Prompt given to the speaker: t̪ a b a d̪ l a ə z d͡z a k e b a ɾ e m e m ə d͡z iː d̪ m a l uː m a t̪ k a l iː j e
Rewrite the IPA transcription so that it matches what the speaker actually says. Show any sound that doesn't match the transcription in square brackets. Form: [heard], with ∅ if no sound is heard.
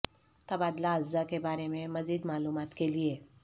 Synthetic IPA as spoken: t̪ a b a d̪ l a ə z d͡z a k e b a ɾ e m e m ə d͡z iː d̪ m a l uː m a t̪ k [e] l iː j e